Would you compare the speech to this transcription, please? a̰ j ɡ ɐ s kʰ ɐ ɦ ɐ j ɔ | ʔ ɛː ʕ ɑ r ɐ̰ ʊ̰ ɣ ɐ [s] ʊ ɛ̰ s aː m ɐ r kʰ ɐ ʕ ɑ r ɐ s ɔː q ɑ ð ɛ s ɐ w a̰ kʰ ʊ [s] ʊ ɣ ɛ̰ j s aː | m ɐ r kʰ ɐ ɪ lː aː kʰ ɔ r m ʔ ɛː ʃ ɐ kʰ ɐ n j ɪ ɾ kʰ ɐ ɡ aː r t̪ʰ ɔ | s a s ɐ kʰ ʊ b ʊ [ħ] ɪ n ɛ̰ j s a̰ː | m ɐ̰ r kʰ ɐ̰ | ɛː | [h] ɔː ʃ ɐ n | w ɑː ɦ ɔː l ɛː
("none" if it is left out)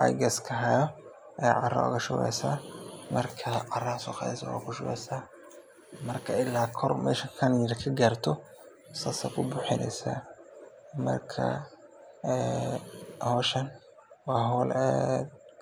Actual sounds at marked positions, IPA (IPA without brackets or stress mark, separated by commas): ʃ, ʃ, ħ, h